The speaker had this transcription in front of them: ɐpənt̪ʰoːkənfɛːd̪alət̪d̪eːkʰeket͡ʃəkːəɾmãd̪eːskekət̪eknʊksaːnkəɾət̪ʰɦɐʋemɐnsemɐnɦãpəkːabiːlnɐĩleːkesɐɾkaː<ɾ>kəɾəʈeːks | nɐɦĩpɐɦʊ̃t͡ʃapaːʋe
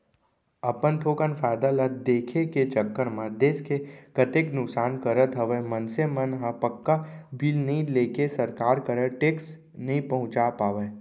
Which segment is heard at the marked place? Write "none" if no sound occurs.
ɾ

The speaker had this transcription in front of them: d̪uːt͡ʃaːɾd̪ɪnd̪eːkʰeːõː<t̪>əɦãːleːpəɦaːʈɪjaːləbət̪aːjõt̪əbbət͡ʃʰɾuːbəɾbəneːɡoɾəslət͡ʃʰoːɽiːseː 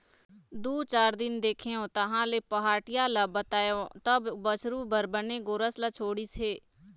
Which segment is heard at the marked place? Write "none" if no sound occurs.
t̪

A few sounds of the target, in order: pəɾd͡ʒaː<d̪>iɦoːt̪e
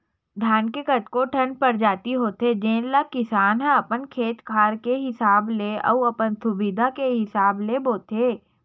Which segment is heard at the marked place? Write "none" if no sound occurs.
t̪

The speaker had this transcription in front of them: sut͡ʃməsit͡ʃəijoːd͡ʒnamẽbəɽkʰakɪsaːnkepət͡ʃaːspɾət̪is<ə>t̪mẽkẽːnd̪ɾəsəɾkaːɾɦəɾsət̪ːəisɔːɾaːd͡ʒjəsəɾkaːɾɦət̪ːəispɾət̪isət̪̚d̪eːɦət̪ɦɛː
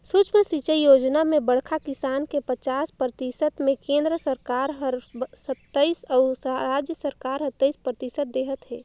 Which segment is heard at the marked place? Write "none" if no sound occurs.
ə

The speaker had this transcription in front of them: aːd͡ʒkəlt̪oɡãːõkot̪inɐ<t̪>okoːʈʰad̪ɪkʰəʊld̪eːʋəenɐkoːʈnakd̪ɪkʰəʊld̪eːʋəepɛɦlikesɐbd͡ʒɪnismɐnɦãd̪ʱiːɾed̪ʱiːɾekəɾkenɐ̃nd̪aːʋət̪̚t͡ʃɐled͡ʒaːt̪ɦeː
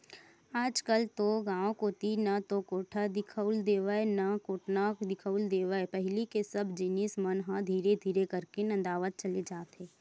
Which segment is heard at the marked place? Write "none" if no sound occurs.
t̪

